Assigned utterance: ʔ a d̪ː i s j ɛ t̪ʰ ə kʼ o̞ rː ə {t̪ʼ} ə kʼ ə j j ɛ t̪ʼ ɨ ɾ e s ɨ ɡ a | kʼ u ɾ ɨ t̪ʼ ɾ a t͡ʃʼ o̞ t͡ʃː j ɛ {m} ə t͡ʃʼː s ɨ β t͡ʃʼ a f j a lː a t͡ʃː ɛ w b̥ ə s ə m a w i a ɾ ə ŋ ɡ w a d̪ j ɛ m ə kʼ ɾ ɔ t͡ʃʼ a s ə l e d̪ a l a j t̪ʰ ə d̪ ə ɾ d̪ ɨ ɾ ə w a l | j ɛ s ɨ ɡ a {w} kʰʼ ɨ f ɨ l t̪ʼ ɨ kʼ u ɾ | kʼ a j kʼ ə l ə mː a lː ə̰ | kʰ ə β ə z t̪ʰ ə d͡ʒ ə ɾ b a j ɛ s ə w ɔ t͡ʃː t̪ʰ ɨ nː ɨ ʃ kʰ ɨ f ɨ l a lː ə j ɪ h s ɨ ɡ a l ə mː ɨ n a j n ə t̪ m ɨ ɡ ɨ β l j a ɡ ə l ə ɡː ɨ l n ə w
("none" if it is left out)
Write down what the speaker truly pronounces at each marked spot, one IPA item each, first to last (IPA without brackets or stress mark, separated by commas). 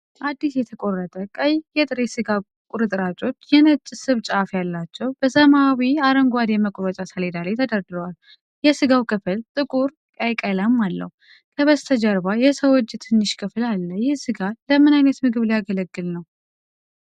t̪ʼ, n, w